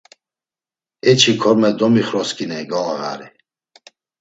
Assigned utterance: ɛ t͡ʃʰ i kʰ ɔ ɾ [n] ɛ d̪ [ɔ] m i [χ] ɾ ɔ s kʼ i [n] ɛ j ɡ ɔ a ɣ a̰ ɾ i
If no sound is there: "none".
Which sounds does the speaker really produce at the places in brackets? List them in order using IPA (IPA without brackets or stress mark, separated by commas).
m, ɔ, χ, n